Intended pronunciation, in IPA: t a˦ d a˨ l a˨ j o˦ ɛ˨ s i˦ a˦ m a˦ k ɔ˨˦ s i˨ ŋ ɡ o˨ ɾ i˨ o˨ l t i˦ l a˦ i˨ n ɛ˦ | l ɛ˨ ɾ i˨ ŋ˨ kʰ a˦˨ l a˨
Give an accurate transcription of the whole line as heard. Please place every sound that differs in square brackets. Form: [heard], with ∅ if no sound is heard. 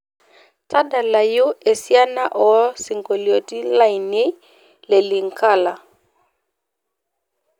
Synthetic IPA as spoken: t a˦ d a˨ l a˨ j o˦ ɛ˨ s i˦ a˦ [n] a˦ [ʔ] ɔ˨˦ s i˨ ŋ ɡ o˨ [l] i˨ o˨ [∅] t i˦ l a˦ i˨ n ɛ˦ | l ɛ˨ [l] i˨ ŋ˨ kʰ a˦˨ l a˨